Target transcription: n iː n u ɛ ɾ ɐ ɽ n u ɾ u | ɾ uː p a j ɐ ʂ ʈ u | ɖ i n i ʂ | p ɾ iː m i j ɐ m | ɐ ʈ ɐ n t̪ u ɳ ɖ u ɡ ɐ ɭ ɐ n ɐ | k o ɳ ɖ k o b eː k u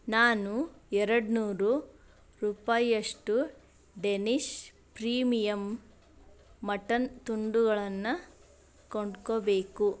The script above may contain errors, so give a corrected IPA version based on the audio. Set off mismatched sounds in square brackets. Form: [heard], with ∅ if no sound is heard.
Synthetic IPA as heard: n [aː] n u ɛ ɾ ɐ ɽ n [uː] ɾ u | ɾ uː p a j ɐ ʂ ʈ u | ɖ [e] n i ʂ | p ɾ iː m i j ɐ m | ɐ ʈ ɐ n t̪ u ɳ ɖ u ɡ ɐ ɭ ɐ [nː] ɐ | k o ɳ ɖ k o b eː k u